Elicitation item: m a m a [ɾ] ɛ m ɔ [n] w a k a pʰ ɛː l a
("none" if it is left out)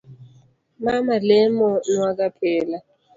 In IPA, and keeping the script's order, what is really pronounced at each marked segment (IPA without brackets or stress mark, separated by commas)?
l, n